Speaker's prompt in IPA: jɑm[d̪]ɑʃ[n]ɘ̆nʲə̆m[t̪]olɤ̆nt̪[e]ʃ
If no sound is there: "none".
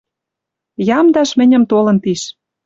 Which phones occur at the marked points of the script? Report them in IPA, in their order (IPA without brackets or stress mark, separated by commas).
d̪, m, t̪, i